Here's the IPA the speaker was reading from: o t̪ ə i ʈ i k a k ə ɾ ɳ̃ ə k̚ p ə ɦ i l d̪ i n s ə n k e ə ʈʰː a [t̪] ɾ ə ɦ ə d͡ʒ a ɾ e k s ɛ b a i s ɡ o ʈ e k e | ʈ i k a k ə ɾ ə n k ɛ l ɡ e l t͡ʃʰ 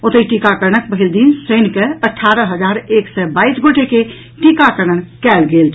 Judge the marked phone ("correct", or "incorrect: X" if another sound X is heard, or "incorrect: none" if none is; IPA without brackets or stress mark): incorrect: none